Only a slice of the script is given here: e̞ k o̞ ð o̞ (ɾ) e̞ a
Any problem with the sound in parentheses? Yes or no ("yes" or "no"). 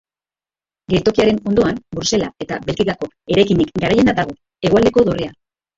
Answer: yes